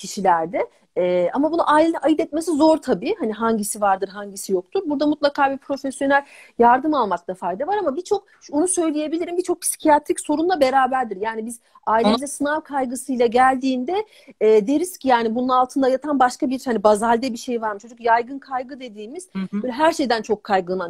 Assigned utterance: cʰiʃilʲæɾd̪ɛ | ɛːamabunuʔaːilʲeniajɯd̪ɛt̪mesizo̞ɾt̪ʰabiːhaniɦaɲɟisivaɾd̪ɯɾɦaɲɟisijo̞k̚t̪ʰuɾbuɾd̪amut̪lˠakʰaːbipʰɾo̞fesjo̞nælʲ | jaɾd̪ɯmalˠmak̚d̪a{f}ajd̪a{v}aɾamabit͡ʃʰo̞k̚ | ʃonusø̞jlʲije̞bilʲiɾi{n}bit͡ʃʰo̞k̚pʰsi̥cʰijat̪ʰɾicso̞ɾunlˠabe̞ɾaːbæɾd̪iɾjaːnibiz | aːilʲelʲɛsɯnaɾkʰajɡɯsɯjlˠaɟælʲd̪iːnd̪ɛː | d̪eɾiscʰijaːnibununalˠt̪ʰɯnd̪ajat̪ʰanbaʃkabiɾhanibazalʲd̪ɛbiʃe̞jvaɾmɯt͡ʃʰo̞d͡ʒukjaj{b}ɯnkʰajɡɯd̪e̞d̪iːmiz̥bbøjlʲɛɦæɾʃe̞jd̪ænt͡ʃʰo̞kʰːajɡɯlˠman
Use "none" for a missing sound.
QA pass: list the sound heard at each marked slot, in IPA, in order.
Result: f, v, m, ɡ

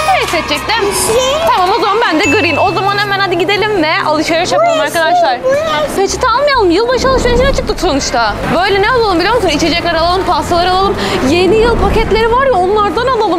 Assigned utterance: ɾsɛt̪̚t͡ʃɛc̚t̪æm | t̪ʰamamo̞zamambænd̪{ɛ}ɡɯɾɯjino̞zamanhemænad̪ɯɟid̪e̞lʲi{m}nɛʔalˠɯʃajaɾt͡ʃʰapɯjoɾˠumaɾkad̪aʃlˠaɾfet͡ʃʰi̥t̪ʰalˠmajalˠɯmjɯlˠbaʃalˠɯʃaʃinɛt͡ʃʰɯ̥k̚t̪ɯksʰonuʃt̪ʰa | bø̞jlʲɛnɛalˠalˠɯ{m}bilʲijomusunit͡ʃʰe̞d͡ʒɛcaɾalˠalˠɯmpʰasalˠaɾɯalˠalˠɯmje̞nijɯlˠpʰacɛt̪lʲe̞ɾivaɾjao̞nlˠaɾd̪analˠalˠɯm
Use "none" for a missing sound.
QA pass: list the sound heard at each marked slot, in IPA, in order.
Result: ɛ, m, m

